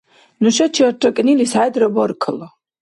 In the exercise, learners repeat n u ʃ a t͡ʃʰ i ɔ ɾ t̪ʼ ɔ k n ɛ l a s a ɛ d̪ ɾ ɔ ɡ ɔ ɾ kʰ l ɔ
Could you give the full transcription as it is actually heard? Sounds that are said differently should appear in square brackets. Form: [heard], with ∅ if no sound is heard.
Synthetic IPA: n u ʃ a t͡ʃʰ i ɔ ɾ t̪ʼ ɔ [kʼ] n [i] l [i] s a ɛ d̪ ɾ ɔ [b] ɔ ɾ kʰ l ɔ